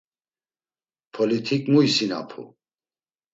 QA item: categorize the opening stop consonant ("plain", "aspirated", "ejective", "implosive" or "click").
aspirated